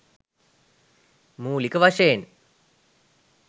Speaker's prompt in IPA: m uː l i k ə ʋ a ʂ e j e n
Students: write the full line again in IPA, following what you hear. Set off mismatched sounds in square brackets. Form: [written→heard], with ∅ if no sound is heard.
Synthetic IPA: m uː l i k ə ʋ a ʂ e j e n